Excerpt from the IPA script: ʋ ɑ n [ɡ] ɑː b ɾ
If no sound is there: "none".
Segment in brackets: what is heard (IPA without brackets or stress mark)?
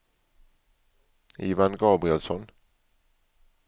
ɡ